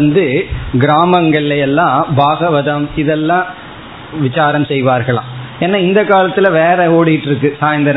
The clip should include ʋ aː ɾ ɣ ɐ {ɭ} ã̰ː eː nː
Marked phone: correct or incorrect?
correct